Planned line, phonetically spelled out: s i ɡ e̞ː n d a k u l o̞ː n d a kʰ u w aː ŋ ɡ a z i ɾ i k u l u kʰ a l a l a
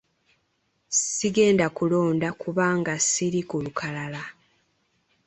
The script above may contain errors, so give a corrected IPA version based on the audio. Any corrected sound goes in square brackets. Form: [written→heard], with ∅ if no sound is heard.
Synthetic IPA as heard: s i ɡ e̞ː n d a k u l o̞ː n d a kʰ u [w→β] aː ŋ ɡ a [z→s] i ɾ i k u l u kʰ a l a l a